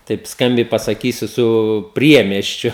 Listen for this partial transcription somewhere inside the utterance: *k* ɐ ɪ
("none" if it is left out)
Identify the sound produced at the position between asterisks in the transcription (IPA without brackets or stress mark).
t